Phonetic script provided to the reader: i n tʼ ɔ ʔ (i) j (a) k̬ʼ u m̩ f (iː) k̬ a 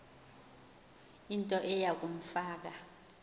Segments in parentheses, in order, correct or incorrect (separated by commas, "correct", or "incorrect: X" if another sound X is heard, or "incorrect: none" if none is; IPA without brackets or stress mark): incorrect: ɛ, correct, incorrect: aː